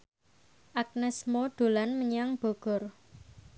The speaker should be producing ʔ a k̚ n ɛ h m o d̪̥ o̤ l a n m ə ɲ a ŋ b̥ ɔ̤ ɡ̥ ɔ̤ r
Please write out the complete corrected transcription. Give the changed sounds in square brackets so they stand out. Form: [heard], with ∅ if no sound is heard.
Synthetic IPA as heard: ʔ a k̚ n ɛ [s] m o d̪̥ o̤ l a n m ə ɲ a ŋ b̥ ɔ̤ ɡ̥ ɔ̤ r